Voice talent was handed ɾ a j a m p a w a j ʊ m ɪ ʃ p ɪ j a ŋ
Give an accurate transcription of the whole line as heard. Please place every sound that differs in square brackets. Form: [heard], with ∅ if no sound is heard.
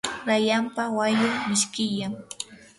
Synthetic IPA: ɾ a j a m p a w a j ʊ m ɪ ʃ [k] ɪ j a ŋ